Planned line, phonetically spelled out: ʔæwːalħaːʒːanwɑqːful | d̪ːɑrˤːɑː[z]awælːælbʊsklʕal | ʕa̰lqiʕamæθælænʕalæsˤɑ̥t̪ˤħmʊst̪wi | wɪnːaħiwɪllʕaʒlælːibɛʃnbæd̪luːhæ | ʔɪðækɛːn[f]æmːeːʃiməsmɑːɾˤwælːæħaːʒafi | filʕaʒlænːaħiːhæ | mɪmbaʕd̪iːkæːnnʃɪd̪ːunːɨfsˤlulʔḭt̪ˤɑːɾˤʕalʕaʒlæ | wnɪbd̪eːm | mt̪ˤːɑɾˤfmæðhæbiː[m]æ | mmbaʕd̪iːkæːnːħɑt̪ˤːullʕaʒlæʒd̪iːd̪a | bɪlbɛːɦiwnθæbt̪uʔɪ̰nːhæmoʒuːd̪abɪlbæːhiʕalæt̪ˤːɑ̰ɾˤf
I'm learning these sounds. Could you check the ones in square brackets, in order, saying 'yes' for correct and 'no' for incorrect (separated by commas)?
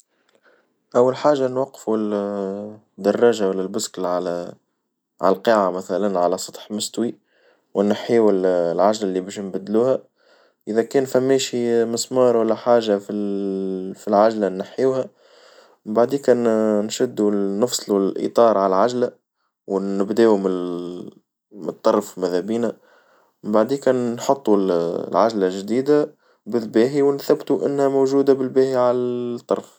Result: no, yes, no